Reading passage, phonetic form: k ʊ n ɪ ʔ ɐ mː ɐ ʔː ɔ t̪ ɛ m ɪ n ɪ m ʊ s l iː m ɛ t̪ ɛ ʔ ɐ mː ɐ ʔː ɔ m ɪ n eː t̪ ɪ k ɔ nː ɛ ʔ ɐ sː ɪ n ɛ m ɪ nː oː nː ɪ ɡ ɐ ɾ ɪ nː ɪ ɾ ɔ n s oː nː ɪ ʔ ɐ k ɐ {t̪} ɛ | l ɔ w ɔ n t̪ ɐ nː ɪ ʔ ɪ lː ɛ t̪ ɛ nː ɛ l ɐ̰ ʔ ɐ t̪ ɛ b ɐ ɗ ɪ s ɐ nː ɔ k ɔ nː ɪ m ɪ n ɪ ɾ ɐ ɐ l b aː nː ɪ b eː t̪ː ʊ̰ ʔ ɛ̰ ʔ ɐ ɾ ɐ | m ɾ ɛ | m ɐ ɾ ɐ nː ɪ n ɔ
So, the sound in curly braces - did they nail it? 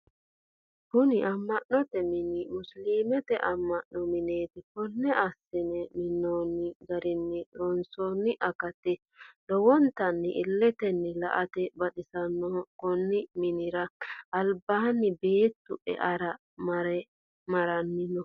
yes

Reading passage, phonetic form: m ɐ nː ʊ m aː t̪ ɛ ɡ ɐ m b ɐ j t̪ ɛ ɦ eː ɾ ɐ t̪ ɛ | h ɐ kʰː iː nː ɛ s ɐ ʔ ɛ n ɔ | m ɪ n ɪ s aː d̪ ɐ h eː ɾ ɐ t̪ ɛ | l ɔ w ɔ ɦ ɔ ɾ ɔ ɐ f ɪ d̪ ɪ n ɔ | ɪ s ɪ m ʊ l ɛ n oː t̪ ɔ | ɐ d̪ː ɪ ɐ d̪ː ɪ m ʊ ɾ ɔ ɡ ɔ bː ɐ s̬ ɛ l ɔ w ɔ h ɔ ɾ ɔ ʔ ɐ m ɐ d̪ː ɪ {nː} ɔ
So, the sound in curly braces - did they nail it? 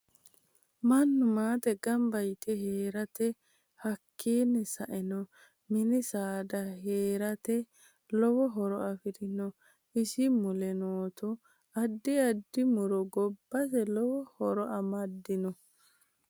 no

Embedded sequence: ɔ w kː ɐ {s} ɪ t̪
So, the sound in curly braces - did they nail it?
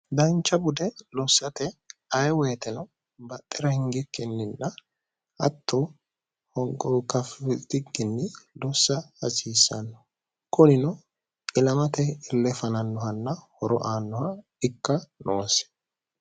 no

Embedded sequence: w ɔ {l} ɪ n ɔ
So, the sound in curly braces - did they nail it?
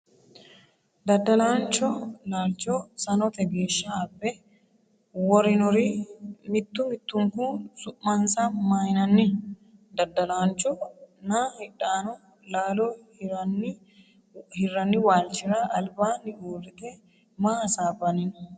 no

